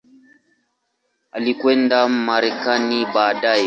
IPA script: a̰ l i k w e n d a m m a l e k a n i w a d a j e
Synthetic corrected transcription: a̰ l i k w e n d a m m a ɾ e k a n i b a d a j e